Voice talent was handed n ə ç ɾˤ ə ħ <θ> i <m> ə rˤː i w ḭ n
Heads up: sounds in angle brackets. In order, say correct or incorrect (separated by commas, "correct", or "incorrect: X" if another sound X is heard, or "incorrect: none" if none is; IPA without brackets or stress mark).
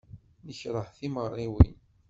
correct, correct